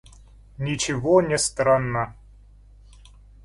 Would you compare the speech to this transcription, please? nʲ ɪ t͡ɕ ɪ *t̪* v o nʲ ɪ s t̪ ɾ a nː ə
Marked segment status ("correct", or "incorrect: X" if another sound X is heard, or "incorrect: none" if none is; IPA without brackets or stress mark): incorrect: none